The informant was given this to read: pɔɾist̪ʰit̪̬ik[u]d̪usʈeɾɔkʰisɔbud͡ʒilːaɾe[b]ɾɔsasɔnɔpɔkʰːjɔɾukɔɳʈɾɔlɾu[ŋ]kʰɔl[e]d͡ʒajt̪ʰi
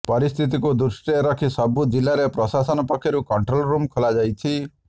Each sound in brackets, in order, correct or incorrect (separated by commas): correct, incorrect, incorrect, incorrect